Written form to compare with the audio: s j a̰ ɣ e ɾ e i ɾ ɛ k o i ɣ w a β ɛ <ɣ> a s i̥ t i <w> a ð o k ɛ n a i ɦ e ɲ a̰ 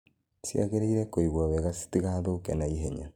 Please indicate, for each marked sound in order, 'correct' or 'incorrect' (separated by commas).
correct, incorrect